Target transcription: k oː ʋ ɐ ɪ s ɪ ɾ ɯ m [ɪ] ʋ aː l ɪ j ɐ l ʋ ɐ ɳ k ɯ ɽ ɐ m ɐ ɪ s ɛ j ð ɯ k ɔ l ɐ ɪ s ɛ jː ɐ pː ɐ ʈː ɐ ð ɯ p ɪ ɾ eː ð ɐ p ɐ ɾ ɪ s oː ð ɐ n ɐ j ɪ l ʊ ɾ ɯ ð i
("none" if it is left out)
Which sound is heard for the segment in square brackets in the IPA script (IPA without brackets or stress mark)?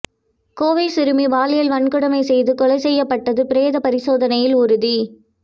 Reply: i